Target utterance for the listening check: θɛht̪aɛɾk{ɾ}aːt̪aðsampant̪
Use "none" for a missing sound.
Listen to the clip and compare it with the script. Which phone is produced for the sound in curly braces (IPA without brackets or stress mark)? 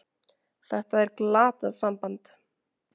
l